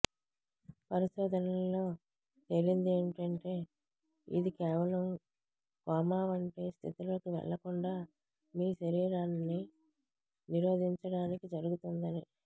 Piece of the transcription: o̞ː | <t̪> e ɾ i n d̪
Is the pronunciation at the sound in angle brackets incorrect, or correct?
correct